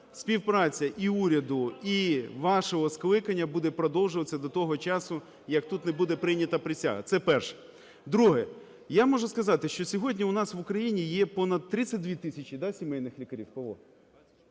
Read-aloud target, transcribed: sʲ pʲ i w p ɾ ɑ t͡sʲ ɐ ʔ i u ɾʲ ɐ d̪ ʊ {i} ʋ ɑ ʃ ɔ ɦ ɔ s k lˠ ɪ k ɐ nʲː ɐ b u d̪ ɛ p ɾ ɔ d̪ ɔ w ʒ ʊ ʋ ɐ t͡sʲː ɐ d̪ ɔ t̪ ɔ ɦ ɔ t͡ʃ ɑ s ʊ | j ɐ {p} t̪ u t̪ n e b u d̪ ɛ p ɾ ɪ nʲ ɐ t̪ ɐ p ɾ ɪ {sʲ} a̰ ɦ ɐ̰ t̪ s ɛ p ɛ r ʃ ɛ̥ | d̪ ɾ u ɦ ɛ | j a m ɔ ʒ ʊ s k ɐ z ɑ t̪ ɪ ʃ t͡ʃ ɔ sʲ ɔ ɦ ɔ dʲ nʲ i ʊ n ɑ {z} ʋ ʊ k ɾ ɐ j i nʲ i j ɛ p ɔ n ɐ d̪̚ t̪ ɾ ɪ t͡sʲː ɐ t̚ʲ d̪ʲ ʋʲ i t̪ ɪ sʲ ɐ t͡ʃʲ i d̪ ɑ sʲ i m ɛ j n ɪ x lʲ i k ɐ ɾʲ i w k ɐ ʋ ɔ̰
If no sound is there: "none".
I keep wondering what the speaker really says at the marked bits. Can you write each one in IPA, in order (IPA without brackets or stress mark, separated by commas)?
i, k, sʲ, s